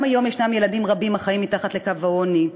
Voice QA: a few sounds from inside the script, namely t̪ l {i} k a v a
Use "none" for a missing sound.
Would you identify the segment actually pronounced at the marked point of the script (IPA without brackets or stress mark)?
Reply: e